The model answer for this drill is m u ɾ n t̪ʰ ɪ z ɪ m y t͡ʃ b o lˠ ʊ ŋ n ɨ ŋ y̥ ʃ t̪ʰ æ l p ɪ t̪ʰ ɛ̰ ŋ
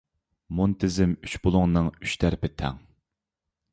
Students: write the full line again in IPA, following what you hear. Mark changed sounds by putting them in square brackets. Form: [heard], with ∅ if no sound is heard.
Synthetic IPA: m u [∅] n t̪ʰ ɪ z ɪ m y t͡ʃ b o lˠ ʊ ŋ n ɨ ŋ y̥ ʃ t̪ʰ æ [ɾ] p ɪ t̪ʰ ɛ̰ ŋ